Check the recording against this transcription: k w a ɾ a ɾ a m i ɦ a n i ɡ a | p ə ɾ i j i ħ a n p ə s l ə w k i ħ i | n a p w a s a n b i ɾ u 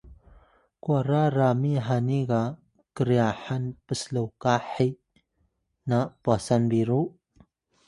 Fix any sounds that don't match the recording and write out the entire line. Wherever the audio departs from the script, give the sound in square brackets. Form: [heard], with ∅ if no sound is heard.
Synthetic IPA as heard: k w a ɾ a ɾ a m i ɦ a n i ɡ a | [k] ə ɾ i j [a] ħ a n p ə s l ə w k [a] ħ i | n a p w a s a n b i ɾ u